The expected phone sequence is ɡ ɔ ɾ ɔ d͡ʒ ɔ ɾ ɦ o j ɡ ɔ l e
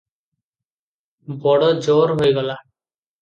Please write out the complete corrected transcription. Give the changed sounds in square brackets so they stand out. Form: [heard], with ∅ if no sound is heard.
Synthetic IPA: [b] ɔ [ɽ] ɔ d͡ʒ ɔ ɾ ɦ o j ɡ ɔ l [a]